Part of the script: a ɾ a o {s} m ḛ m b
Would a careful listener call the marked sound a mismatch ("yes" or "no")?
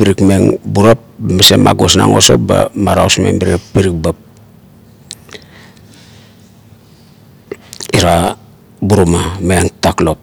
no